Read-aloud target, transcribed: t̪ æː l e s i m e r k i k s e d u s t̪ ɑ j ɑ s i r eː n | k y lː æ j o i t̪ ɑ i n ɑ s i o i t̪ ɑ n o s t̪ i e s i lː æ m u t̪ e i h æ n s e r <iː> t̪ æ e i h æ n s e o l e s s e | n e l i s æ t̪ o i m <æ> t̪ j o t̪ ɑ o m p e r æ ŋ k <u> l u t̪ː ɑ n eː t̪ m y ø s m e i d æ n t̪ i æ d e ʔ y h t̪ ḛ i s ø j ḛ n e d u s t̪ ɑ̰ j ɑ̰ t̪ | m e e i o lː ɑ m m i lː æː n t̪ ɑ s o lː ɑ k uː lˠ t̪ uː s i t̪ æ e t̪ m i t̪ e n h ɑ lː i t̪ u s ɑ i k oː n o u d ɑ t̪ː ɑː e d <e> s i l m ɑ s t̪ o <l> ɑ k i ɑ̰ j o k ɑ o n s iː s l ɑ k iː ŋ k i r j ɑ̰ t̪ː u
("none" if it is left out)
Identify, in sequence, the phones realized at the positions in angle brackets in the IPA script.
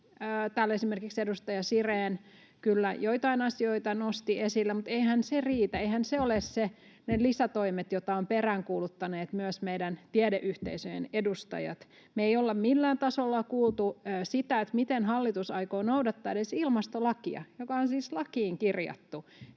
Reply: iː, e, uː, e, l

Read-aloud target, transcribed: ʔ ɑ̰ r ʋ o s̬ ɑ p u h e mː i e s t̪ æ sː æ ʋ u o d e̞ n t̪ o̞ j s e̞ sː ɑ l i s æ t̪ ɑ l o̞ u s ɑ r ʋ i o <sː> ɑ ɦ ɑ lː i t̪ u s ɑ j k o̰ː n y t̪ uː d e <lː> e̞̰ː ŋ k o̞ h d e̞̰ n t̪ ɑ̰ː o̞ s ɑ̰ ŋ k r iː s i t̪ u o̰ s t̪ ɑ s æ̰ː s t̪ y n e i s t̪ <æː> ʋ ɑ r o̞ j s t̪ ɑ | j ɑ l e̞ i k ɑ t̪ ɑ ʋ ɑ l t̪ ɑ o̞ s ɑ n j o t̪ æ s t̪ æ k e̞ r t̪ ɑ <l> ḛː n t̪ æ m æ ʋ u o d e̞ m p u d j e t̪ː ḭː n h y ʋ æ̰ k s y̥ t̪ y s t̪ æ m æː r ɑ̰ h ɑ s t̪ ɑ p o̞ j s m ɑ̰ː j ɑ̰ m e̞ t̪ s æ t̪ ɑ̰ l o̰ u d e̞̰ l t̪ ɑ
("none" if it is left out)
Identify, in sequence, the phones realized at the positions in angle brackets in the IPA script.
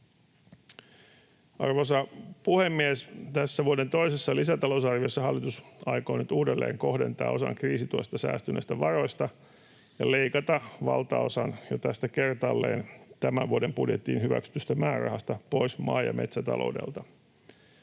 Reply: sː, lː, æ, lː

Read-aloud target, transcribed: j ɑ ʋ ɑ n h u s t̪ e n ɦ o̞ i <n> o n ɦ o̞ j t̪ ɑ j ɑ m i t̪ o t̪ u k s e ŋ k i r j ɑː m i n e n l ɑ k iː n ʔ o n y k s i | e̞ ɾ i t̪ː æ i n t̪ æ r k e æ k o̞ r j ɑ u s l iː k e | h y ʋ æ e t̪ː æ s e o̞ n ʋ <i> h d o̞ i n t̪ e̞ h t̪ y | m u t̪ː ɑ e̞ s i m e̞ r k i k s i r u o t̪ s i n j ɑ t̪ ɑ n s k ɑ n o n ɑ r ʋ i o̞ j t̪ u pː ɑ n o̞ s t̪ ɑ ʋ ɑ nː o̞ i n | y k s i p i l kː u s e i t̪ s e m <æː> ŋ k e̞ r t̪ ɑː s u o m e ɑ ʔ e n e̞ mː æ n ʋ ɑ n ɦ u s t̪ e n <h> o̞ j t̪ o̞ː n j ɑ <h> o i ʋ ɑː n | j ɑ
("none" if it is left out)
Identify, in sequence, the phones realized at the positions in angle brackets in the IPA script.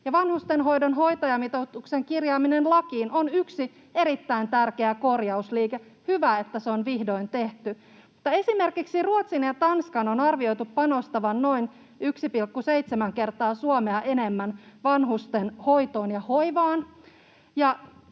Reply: d, i, æ, h, h

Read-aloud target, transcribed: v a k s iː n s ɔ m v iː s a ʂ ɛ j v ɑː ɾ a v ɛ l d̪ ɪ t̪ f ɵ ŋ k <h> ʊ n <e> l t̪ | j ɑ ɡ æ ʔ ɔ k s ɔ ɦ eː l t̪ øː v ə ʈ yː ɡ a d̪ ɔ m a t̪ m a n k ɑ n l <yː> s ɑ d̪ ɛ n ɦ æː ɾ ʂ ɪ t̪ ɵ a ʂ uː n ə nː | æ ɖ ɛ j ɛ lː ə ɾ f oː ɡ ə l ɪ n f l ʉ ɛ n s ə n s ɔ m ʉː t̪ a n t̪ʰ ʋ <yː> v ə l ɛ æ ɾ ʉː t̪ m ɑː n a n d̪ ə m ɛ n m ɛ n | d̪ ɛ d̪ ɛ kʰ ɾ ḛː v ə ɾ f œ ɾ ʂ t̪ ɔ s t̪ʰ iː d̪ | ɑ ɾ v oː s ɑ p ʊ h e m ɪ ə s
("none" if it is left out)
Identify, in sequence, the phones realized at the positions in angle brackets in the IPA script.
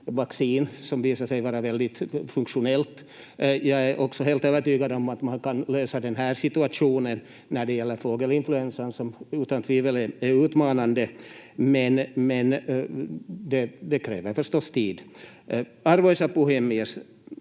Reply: ʂ, ɛ, øː, iː

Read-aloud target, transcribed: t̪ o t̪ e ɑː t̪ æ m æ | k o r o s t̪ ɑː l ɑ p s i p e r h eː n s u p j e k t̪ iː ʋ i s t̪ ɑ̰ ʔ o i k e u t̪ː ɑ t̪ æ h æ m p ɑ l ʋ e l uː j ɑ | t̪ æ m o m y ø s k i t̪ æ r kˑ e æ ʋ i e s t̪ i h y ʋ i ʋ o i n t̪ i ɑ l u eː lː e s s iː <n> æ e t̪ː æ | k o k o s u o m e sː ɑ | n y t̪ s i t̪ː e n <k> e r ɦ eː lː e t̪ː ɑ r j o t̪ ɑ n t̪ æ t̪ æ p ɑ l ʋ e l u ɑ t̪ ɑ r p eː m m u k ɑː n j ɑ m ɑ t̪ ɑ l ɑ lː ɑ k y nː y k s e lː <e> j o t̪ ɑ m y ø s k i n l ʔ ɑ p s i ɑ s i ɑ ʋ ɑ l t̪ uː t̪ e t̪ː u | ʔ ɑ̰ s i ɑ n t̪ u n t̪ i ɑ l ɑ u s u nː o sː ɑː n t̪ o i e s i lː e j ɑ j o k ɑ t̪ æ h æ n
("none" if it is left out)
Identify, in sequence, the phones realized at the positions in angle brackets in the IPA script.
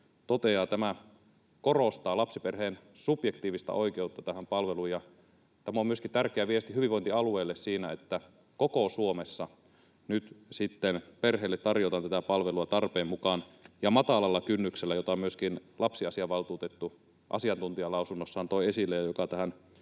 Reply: n, p, æ

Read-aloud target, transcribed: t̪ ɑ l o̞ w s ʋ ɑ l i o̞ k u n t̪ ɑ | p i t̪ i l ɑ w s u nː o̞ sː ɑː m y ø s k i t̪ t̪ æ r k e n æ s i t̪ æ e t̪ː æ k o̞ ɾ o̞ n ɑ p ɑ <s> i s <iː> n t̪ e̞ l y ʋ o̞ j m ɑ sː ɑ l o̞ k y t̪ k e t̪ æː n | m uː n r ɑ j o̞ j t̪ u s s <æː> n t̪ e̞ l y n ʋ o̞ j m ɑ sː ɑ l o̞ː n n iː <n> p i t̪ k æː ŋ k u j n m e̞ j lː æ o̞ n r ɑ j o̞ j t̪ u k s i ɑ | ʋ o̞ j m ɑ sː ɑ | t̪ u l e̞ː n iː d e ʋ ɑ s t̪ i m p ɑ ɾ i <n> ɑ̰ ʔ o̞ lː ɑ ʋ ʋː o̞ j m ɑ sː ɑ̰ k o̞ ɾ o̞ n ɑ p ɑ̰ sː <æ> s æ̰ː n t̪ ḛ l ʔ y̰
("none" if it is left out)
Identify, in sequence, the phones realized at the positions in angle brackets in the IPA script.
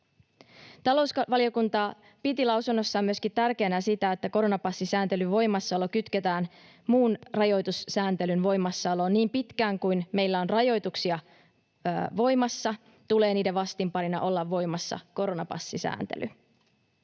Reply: sː, æː, æː, m, n, i

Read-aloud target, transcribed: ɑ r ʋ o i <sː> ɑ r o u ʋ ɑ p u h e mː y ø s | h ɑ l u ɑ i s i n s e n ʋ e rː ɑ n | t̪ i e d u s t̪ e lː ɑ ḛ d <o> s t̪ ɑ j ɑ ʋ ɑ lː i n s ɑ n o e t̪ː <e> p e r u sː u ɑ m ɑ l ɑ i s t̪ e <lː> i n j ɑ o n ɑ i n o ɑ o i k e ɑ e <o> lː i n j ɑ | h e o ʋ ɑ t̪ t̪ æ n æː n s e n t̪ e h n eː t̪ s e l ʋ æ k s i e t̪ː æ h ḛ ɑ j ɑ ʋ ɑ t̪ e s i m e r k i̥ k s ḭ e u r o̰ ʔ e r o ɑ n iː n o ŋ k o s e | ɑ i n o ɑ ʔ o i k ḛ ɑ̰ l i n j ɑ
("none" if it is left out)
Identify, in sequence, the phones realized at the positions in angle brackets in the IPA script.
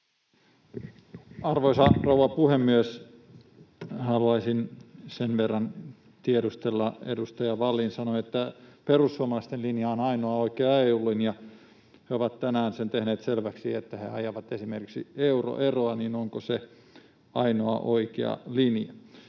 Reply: s, u, æ, l, u

